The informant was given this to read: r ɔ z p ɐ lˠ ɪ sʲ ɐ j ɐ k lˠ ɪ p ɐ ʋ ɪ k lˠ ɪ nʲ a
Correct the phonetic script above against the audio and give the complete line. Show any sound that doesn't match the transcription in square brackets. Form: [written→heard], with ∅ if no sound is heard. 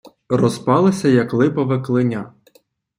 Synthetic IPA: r ɔ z p [ɐ→ɑ] lˠ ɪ sʲ ɐ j ɐ k lˠ ɪ p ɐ ʋ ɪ k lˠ ɪ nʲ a